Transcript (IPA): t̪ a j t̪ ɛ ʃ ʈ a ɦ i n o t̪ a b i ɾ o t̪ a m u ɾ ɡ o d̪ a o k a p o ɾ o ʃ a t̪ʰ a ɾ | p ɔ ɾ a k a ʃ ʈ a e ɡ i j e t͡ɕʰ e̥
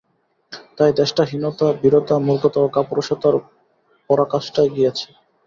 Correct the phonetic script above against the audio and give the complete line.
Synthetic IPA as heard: t̪ a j d̪ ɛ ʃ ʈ a ɦ i n o t̪ a b i ɾ o t̪ a m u ɾ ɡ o t̪ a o k a p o ɾ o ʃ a t̪ a ɾ | p ɔ ɾ a k a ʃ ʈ a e ɡ i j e t͡ɕʰ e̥